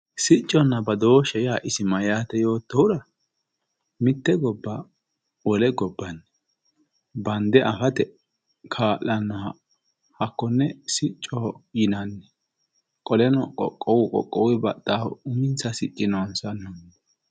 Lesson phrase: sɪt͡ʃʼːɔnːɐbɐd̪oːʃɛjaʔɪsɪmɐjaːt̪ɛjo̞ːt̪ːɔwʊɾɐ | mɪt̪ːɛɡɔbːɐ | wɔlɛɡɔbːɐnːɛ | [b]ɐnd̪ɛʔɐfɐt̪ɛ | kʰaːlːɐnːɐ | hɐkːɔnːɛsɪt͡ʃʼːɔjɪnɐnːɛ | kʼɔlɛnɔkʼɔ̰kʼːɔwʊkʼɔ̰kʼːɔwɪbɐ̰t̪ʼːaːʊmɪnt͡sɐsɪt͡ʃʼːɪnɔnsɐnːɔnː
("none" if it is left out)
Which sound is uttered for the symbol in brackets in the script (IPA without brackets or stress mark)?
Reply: b